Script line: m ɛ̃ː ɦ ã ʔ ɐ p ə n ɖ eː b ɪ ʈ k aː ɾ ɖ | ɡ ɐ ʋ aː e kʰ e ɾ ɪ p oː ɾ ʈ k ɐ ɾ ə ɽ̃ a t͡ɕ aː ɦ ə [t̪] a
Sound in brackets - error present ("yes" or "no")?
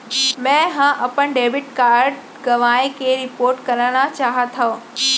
yes